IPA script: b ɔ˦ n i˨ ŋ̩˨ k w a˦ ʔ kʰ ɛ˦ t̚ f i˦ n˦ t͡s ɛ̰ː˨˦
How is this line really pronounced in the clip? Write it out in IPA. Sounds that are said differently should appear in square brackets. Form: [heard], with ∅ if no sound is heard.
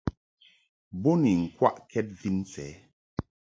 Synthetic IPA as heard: b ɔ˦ n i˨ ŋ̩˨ k w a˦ ʔ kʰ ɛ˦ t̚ [v] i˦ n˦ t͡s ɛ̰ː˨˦